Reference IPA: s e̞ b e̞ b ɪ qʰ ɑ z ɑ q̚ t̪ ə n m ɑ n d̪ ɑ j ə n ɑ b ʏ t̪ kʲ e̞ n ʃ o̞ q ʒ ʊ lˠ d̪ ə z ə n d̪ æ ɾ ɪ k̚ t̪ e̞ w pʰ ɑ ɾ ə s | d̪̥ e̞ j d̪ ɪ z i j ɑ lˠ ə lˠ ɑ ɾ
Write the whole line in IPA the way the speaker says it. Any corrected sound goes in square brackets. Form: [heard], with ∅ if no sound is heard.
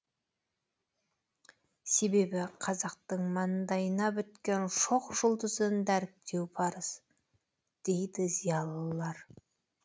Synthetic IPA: s e̞ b e̞ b ɪ qʰ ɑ z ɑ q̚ t̪ ə [ɴ] m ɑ n d̪ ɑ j ə n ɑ b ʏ t̪ kʲ e̞ n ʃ o̞ q ʒ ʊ lˠ d̪ ə z ə n d̪ æ ɾ ɪ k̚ t̪ e̞ w pʰ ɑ ɾ ə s | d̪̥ e̞ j d̪ ɪ z i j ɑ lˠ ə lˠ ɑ ɾ